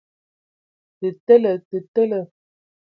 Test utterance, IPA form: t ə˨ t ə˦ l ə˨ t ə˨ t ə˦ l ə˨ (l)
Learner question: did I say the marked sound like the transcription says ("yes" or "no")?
no